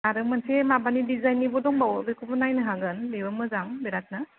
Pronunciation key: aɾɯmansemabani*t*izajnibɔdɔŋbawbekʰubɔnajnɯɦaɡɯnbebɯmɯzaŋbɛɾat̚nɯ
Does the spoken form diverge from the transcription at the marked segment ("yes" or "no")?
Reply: yes